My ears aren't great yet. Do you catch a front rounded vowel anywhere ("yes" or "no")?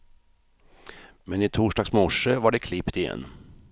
no